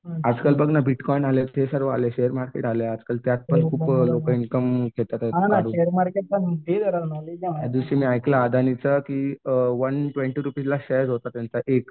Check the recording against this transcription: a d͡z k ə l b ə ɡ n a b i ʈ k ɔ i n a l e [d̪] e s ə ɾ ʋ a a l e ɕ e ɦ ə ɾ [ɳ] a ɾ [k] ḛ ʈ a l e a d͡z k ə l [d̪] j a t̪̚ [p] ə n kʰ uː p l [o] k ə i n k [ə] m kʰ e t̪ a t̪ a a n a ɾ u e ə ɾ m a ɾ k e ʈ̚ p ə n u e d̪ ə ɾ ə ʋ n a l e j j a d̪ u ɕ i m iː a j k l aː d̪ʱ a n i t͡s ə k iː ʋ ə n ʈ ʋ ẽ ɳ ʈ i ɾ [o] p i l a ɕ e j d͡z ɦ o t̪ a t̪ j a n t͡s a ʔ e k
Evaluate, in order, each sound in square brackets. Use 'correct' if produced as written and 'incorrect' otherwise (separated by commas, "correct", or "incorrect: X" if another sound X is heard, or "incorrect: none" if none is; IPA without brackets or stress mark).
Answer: incorrect: t̪, incorrect: m, correct, incorrect: t̪, correct, correct, correct, incorrect: u